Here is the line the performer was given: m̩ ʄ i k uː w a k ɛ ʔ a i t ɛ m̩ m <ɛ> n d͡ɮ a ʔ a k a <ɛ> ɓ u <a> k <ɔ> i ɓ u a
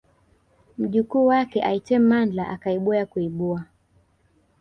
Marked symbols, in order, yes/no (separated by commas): no, no, yes, no